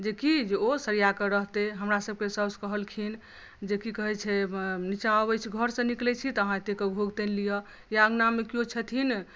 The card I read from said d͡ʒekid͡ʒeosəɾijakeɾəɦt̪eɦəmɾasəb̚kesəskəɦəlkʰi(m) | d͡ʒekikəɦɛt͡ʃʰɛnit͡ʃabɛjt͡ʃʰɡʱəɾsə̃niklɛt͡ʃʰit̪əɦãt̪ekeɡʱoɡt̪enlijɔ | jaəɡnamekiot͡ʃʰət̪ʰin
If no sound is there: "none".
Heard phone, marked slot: n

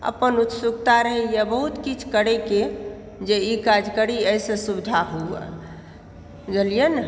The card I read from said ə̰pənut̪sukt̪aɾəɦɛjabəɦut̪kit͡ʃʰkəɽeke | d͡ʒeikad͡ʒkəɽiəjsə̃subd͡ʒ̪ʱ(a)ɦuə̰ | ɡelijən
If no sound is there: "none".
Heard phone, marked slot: a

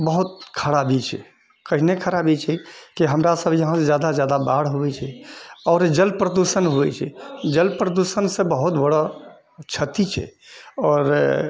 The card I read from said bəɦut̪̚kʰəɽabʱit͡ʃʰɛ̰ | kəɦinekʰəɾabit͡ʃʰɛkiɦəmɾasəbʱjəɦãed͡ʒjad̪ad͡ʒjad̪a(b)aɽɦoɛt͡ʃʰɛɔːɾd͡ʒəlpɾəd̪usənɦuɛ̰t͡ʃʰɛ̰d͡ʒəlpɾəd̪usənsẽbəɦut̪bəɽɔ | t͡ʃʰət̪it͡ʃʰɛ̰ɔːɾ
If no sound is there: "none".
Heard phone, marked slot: b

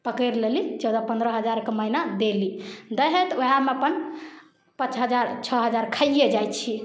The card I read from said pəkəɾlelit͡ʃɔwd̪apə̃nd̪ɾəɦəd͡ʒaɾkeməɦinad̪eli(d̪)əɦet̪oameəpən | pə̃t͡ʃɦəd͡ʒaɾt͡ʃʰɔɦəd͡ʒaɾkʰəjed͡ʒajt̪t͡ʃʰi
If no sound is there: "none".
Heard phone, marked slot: d̪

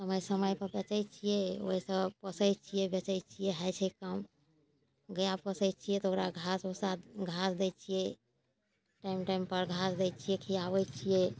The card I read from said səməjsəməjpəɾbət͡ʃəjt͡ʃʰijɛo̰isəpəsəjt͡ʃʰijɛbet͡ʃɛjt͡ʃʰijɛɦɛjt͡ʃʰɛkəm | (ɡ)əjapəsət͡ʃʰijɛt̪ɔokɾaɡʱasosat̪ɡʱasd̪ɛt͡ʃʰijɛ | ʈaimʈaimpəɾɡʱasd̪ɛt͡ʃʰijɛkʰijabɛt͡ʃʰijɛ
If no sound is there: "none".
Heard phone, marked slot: ɡ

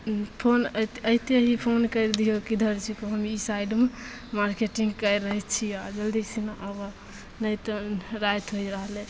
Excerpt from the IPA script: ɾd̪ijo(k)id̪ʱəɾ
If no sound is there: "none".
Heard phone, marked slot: k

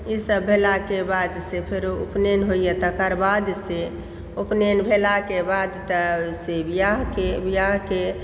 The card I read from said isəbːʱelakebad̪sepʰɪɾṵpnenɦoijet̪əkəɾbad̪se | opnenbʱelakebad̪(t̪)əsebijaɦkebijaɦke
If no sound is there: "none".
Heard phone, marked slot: t̪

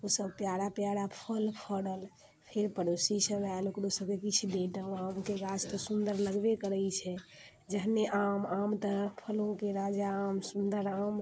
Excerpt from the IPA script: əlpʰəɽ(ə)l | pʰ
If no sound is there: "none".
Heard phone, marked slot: ə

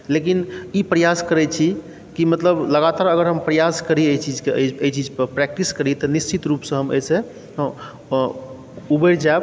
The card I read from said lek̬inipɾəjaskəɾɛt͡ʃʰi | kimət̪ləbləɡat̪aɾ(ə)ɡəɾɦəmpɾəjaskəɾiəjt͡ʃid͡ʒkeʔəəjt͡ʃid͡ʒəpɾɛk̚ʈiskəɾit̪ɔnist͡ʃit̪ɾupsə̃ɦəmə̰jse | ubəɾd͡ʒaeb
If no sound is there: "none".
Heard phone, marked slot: ə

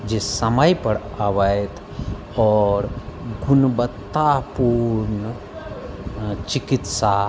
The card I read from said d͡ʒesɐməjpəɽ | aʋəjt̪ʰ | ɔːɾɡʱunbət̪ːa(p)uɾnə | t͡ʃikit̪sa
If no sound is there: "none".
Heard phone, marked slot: p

